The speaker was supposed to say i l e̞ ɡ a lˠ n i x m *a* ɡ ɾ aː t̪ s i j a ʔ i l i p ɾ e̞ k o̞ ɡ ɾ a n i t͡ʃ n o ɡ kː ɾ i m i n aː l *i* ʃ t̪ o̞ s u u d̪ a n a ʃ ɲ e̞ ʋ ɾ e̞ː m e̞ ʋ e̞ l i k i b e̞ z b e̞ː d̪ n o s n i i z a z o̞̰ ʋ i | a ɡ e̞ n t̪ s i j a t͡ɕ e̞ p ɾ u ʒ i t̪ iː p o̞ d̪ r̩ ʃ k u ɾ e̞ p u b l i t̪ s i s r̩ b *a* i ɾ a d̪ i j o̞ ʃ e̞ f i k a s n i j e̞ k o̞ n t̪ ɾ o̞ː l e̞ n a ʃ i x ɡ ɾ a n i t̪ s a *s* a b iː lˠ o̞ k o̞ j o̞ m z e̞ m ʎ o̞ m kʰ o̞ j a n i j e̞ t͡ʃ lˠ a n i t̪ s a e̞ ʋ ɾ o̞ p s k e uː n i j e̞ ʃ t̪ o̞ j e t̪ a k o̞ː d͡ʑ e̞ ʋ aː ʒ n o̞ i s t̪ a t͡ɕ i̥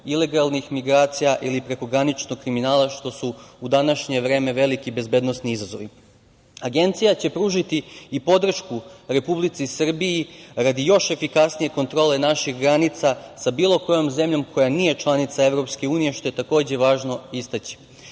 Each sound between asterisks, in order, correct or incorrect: incorrect, incorrect, incorrect, correct

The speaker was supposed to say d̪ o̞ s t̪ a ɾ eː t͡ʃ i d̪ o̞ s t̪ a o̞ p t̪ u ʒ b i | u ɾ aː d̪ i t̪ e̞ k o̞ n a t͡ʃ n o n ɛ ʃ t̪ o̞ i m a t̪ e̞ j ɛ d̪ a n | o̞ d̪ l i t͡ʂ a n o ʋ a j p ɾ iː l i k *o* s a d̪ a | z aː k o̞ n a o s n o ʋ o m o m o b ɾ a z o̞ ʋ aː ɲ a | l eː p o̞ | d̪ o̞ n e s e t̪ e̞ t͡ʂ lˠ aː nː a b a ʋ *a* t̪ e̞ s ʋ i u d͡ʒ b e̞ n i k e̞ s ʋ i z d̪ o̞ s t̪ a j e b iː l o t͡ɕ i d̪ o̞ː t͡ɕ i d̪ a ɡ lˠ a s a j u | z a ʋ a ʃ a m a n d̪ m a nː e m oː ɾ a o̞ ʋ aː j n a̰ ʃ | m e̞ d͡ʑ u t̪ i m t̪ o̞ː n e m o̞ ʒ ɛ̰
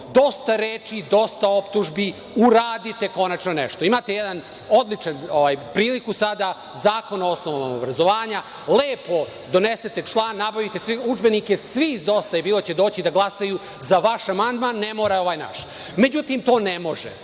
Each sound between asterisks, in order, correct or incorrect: incorrect, incorrect

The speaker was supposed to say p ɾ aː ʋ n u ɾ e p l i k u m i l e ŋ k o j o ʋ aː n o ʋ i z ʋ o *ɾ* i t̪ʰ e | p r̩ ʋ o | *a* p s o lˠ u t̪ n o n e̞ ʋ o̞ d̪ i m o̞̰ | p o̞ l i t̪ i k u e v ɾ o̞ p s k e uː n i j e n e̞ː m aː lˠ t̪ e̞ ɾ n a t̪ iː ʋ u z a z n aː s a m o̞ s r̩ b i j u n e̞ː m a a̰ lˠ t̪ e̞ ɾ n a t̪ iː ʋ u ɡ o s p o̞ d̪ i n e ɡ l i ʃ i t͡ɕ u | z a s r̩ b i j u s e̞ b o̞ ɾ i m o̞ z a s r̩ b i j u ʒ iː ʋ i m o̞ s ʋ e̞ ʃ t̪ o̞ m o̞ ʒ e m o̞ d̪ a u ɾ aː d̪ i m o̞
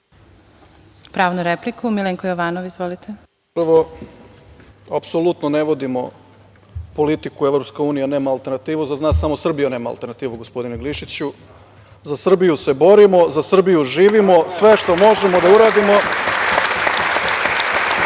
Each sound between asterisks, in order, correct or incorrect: incorrect, correct

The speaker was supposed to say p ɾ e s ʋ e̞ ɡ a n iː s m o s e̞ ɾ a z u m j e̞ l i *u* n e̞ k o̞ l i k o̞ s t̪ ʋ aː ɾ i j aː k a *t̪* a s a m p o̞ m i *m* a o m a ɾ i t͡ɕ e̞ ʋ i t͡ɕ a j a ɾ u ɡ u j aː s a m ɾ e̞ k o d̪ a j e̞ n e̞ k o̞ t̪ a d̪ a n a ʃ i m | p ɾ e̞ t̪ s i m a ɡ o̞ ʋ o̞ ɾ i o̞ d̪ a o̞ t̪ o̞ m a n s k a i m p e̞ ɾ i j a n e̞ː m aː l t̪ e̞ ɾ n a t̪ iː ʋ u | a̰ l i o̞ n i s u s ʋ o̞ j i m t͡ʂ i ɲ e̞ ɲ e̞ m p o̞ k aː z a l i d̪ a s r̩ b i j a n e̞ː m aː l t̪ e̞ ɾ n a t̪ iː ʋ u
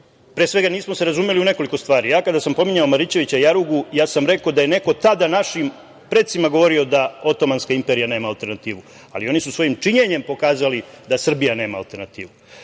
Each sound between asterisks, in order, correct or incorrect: correct, incorrect, incorrect

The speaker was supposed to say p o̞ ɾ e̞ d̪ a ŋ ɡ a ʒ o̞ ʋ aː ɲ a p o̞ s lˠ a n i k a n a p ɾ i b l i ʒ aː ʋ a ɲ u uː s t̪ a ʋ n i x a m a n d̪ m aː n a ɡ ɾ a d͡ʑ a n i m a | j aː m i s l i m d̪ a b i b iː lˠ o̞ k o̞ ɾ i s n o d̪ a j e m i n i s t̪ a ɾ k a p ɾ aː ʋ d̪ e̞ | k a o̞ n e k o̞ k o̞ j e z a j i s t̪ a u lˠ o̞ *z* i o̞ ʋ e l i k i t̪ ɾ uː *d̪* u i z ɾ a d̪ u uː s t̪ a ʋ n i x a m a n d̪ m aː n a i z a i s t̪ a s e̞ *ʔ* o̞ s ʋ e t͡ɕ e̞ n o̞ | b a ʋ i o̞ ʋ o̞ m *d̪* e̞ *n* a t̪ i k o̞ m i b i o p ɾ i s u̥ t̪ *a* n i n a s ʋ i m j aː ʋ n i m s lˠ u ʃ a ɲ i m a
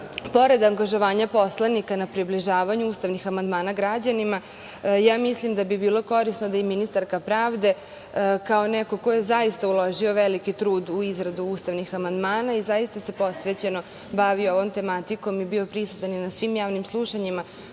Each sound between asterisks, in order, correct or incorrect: incorrect, correct, incorrect, incorrect, incorrect, correct

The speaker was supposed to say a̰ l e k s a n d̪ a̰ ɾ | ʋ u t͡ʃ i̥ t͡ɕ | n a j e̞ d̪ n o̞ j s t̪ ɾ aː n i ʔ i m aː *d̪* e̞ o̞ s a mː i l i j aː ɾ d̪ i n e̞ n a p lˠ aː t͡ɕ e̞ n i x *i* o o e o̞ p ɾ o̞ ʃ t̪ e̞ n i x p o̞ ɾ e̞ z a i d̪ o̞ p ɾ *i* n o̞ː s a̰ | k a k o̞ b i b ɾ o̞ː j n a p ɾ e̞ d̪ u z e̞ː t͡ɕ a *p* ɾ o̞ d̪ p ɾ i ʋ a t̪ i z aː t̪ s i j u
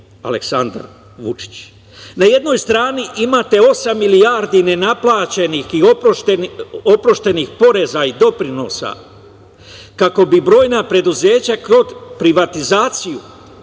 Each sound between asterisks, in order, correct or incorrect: incorrect, correct, correct, incorrect

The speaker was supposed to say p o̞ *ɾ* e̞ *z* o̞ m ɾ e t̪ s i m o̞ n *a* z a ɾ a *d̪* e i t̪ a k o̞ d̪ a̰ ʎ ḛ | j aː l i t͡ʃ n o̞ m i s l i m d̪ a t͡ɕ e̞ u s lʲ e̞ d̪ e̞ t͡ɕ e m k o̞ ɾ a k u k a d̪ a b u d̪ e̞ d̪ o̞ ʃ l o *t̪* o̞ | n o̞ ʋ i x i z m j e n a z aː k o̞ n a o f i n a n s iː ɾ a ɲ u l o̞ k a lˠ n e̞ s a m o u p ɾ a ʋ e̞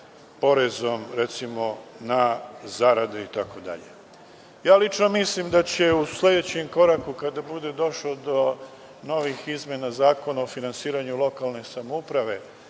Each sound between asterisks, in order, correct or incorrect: correct, correct, correct, correct, incorrect

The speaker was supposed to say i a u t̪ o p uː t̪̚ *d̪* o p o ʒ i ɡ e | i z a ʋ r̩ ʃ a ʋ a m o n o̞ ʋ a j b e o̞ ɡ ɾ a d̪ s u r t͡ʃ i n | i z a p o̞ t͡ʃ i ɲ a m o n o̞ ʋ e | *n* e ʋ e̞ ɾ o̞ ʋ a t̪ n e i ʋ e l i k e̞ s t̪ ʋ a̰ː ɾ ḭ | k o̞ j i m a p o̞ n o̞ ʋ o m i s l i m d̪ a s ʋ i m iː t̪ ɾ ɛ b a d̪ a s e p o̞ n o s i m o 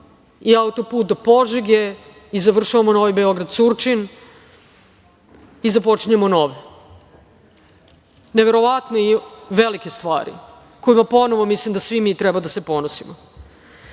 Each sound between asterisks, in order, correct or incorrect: correct, correct

